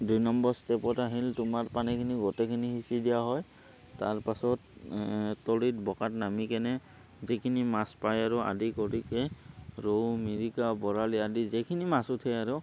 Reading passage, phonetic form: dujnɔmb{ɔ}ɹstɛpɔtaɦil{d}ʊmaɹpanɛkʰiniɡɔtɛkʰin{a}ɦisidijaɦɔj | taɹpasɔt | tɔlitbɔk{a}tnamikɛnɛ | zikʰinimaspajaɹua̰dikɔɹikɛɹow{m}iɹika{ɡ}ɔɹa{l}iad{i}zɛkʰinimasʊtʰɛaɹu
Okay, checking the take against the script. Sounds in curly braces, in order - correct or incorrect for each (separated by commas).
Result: correct, incorrect, incorrect, correct, correct, incorrect, correct, correct